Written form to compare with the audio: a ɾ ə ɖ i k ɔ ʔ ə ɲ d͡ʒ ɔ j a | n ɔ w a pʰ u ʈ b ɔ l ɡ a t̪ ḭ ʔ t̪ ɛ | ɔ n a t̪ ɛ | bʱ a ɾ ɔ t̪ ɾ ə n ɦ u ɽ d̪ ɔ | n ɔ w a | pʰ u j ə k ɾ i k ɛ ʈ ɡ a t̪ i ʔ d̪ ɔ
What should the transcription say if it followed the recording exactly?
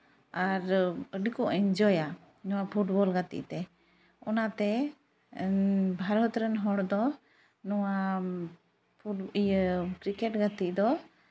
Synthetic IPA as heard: a ɾ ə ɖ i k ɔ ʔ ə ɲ d͡ʒ ɔ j a | n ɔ w a pʰ u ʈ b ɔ l ɡ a t̪ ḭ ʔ t̪ ɛ | ɔ n a t̪ ɛ | bʱ a ɾ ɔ t̪ ɾ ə n ɦ ɔ ɽ d̪ ɔ | n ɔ w a | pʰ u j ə k ɾ i k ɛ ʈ ɡ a t̪ i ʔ d̪ ɔ

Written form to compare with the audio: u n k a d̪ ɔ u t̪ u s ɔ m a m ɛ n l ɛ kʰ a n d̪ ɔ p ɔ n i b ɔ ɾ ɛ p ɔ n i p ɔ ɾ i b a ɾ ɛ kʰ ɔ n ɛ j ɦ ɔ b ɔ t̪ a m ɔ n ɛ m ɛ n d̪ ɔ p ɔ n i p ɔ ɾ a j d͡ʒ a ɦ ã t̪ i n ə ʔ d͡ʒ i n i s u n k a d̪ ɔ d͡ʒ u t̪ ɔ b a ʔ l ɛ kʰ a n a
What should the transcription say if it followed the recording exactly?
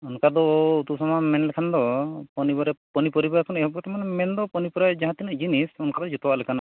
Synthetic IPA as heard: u n k a d̪ ɔ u t̪ u s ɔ m a m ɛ n l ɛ kʰ a n d̪ ɔ p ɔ n i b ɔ ɾ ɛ p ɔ n i p ɔ ɾ i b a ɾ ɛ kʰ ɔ n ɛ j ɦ ɔ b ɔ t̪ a m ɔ n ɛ m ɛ n d̪ ɔ p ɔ n i p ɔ ɾ a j d͡ʒ a ɦ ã t̪ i n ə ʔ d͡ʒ i n i s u n k a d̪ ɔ d͡ʒ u t̪ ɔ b a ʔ l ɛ kʰ a n a

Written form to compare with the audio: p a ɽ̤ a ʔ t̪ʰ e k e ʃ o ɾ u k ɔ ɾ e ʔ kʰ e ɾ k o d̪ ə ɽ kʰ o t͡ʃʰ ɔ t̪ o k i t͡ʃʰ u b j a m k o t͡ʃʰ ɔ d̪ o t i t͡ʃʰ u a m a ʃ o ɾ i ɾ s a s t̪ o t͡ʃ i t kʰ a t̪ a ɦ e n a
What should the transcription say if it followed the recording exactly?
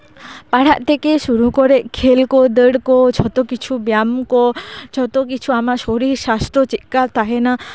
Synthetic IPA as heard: p a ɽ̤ a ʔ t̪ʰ e k e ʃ u ɾ u k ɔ ɾ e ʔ kʰ e l k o d̪ ə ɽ k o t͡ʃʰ ɔ t̪ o k i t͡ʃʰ u b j a m k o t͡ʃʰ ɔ t̪ o k i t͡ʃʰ u a m a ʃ o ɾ i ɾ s a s t̪ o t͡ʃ i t k a t̪ a ɦ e n a

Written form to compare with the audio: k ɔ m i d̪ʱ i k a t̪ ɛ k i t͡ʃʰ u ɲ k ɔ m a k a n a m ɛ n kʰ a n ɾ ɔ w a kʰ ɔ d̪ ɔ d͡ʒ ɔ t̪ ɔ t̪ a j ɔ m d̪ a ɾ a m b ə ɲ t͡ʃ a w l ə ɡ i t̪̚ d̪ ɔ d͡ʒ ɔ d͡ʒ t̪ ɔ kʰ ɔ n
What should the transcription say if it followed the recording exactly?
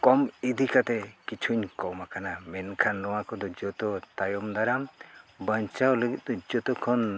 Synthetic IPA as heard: k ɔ m i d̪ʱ i k a t̪ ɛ k i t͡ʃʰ u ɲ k ɔ m a k a n a m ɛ n kʰ a n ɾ ɔ w a k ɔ d̪ ɔ d͡ʒ ɔ t̪ ɔ t̪ a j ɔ m d̪ a ɾ a m b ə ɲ t͡ʃ a w l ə ɡ i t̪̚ d̪ ɔ d͡ʒ ɔ t̪ ɔ kʰ ɔ n

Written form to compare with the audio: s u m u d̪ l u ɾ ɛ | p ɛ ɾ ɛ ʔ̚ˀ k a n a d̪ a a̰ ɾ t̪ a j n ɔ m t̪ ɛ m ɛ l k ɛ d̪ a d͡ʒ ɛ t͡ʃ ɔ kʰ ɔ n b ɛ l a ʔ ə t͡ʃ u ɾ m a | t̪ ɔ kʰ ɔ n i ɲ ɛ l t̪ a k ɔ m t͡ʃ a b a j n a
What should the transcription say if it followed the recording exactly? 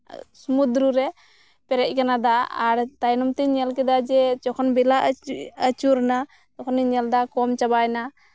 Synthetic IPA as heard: s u m u d̪ ɾ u ɾ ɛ | p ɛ ɾ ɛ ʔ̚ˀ k a n a d̪ a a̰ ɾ t̪ a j n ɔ m t̪ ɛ ɲ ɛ l k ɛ d̪ a d͡ʒ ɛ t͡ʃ ɔ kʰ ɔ n b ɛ l a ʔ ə t͡ʃ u ɾ n a | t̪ ɔ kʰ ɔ n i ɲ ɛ l d̪ a k ɔ m t͡ʃ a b a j n a

